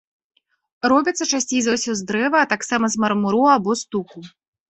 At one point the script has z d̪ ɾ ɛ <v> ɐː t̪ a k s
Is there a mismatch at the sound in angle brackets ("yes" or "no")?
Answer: no